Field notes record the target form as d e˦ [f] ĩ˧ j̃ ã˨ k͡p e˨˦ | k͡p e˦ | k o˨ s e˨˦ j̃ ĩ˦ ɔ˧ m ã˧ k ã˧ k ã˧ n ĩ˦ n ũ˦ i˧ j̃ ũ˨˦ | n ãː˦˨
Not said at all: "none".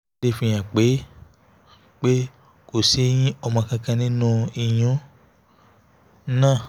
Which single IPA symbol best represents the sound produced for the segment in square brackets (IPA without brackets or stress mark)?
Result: f